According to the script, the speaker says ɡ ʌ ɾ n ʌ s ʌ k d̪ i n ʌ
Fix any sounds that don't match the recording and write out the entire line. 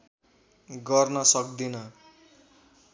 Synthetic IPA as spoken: ɡ ʌ r n ʌ s ʌ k d̪ i n ʌ